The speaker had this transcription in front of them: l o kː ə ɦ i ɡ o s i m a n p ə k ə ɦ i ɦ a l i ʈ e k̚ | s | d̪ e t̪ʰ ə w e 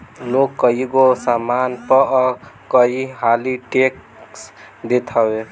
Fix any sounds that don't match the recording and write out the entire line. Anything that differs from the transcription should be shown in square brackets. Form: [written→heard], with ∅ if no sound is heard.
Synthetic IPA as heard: l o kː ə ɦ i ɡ o s [i→a] m a n p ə k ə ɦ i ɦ a l i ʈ e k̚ | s | d̪ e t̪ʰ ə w e